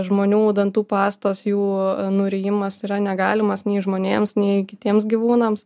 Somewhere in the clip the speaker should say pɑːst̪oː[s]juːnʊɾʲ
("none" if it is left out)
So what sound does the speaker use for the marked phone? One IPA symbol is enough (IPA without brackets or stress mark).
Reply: s